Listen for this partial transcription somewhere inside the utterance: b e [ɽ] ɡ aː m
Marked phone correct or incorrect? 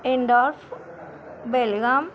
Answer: incorrect